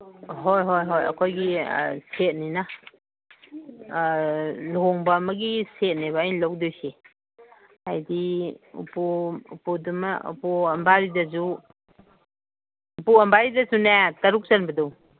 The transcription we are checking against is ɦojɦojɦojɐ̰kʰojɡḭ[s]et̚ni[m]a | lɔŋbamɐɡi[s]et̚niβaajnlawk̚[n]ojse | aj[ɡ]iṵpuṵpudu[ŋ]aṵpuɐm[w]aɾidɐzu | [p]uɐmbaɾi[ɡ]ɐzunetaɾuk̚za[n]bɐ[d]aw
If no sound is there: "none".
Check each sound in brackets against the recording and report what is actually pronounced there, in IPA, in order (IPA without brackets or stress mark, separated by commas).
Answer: s, n, s, d, d, m, b, p, d, n, d